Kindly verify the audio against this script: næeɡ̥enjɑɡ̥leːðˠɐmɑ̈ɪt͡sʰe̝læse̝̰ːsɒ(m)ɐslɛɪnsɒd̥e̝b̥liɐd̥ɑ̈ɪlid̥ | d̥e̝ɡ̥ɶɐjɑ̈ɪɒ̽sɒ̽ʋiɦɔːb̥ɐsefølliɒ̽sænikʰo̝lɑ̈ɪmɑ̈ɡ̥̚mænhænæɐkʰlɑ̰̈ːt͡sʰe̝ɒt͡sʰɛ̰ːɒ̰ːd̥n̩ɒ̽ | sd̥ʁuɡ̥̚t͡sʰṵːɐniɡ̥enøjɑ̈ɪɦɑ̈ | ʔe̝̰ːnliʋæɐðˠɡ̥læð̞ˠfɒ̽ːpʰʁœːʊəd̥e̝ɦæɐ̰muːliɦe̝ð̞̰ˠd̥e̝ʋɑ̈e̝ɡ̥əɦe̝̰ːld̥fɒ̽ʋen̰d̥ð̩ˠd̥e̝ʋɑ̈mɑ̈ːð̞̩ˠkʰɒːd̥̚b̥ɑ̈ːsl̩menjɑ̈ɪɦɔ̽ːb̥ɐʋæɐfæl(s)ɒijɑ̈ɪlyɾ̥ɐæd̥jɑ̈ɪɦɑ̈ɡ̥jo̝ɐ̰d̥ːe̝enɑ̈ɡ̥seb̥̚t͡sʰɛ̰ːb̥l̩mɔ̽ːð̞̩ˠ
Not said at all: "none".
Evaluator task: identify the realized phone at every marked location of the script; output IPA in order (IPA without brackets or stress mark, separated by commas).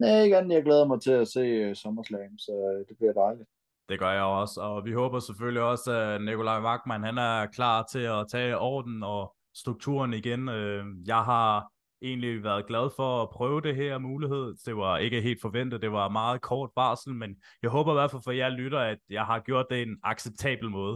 m, f